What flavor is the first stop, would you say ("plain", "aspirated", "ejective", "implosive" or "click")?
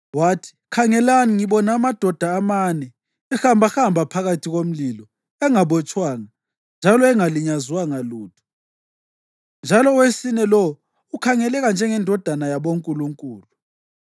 aspirated